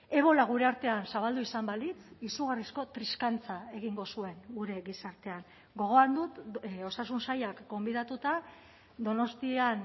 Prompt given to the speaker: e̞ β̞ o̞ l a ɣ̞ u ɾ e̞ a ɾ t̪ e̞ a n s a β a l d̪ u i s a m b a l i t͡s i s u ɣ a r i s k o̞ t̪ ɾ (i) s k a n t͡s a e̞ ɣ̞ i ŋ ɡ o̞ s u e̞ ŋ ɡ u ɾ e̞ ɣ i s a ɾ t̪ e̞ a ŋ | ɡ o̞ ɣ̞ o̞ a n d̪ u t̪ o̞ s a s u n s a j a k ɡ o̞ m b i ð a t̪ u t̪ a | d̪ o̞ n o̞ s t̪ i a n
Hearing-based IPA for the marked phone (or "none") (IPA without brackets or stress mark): i